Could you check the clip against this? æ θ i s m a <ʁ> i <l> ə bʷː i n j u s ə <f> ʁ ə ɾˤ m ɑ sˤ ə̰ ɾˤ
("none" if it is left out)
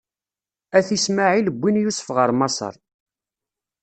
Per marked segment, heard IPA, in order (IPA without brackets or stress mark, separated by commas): ʕ, l, f